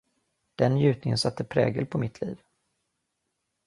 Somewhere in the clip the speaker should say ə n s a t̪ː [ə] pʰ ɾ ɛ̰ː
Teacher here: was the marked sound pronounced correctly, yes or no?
yes